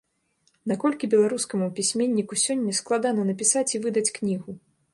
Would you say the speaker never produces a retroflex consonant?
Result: yes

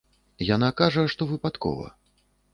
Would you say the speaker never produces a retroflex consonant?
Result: no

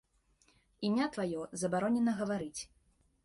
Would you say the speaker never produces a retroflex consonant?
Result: yes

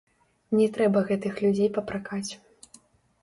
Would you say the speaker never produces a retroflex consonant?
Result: yes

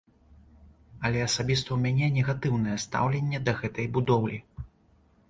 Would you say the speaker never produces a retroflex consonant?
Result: yes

